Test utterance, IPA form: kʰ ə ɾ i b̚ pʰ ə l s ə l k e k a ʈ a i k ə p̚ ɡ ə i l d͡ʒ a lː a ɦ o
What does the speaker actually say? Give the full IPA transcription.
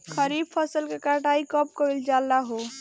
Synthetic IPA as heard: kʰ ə ɾ i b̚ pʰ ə s ə l k e k a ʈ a i k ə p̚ k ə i l d͡ʒ a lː a ɦ o